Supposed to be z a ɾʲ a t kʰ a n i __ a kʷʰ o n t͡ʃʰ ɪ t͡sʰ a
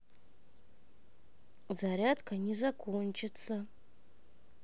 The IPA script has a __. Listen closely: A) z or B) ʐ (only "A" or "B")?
A